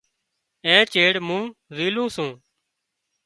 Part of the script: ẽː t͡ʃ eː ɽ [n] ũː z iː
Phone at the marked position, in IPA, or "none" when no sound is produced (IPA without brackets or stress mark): m